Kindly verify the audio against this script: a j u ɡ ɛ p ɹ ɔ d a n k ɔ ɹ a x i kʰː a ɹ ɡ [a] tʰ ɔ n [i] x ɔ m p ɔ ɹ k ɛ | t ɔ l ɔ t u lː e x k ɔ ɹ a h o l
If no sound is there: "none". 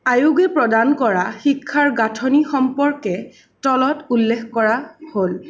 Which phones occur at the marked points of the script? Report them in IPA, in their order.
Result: a, i

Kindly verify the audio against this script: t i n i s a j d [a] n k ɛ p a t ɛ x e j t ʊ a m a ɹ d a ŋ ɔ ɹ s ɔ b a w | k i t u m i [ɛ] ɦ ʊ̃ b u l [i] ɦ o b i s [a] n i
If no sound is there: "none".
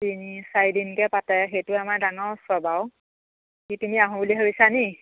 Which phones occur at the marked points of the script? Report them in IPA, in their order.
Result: i, a, i, a

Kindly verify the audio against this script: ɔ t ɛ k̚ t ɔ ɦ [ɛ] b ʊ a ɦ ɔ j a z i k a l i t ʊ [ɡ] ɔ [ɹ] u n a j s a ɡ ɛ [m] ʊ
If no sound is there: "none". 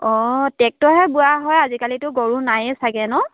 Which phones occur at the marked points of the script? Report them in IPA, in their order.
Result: ɛ, ɡ, ɹ, n

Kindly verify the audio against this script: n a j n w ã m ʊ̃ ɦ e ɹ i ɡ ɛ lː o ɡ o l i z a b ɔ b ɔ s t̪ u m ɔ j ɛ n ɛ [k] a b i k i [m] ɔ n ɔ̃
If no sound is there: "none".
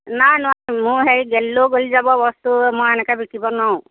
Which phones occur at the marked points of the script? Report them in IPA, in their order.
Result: k, b

